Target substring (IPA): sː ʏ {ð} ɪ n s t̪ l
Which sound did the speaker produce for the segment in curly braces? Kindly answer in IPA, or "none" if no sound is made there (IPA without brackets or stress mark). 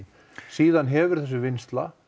v